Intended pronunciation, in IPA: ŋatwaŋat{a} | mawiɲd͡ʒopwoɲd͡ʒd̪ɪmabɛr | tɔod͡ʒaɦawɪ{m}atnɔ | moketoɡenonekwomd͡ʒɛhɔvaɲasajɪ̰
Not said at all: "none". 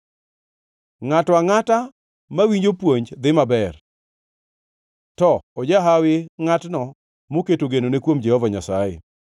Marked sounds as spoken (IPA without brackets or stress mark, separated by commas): a, ŋ